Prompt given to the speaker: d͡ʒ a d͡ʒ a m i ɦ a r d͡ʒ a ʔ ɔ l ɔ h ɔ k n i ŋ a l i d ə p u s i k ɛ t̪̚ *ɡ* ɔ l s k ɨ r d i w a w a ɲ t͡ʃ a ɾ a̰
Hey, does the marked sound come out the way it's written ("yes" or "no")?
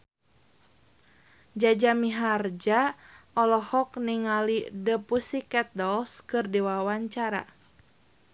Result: no